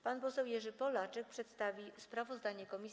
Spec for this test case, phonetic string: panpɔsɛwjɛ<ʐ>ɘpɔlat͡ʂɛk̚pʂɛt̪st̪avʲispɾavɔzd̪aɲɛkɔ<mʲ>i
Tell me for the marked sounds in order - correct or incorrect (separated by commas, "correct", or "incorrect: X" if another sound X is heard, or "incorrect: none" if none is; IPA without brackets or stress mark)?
correct, correct